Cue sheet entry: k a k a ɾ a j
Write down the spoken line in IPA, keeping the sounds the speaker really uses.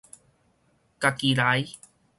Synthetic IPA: k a k i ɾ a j